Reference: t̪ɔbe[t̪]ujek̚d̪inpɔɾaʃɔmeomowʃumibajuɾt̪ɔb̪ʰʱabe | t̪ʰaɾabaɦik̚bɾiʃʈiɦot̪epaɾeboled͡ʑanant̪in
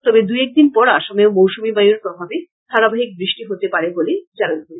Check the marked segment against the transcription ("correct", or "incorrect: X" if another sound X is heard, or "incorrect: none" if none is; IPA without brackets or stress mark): incorrect: d̪